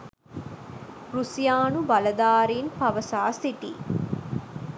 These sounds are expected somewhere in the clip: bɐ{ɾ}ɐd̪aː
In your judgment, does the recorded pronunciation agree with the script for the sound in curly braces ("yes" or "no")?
no